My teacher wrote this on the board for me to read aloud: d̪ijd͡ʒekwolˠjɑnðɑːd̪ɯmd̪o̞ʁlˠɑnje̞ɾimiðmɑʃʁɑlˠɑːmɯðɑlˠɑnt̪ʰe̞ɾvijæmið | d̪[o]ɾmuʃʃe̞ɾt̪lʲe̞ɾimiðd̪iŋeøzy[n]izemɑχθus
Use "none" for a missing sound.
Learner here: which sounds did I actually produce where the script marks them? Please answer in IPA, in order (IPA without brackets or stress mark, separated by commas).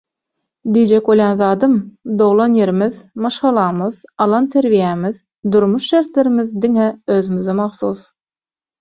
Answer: u, m